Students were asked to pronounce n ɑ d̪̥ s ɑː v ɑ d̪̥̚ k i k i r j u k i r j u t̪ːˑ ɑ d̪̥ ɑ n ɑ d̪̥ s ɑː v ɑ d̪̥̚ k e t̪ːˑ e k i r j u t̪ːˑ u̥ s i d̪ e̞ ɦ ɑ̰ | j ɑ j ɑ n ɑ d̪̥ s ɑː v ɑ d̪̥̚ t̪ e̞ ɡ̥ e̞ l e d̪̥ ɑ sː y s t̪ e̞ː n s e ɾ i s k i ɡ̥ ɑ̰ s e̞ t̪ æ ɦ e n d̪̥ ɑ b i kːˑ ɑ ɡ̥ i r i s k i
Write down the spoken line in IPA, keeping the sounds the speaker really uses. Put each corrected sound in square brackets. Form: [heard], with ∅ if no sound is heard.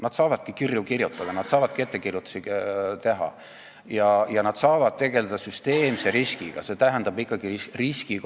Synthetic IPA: n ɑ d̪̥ s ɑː v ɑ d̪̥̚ k i k i r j u k i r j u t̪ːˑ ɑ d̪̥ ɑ n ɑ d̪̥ s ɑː v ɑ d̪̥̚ k e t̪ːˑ e k i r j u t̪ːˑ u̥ s i [t̪] e̞ ɦ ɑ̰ | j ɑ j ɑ n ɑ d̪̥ s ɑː v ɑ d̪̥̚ t̪ e̞ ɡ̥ e̞ l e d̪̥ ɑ [s] y s t̪ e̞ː [m] s e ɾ i s k i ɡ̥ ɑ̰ s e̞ t̪ æ ɦ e n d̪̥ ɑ b i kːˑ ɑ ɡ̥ i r i s k i